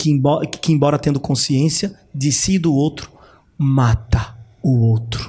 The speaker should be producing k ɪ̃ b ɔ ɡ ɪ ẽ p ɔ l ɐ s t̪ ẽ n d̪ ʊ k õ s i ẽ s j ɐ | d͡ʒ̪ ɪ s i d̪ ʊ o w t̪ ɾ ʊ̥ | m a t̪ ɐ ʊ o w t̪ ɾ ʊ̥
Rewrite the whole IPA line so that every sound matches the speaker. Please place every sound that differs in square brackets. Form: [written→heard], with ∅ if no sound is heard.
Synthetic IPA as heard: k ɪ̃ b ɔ [ɡ→k] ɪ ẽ [p→b] ɔ [l→ɾ] ɐ [s→∅] t̪ ẽ n d̪ ʊ k õ s i ẽ s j ɐ | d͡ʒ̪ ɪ s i d̪ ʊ o w t̪ ɾ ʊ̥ | m a t̪ ɐ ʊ o w t̪ ɾ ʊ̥